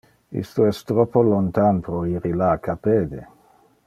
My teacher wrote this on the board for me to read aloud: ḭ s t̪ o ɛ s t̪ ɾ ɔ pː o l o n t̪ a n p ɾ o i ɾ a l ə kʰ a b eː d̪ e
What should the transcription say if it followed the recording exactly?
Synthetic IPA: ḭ s t̪ o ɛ s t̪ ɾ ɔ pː o l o n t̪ a n p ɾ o i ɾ i l a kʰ a p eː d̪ e

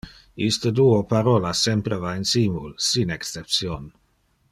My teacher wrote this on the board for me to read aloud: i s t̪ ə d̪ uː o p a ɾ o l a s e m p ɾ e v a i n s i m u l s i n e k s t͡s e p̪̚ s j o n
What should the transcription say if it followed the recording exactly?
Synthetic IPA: i s t̪ ə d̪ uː o p a ɾ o l a s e m p ɾ e v a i n s i m u l s i n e k s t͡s e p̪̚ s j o n

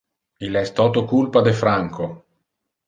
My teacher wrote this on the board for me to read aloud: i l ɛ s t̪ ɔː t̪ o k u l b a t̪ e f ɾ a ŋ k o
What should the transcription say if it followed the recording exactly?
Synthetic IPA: i l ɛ s t̪ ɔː t̪ o k u l p a d̪ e f ɾ a ŋ k o

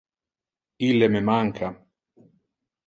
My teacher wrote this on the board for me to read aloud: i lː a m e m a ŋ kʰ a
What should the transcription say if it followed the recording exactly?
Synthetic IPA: i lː e m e m a ŋ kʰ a

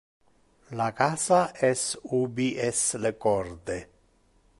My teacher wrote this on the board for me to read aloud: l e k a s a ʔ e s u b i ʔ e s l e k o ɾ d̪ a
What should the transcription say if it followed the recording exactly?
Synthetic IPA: l a k a s a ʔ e s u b i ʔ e s l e k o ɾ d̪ e

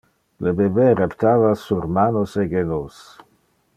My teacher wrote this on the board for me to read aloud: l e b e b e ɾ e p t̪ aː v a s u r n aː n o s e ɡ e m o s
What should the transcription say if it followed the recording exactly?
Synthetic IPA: l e b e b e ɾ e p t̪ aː v a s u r m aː n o s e ɡ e n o s

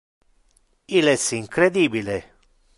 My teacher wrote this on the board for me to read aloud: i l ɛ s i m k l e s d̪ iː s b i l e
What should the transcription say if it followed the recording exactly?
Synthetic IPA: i l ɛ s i ŋ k ɾ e d̪ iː b i l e

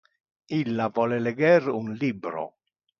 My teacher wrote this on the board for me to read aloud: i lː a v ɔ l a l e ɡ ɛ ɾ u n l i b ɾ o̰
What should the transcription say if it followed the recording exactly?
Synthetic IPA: i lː a v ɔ l e l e ɡ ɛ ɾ u n l i b ɾ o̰

